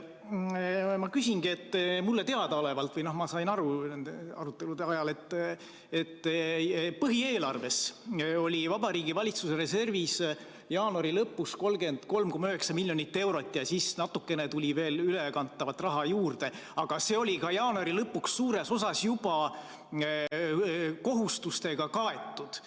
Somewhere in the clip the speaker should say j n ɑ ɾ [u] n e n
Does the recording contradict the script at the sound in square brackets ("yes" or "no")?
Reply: no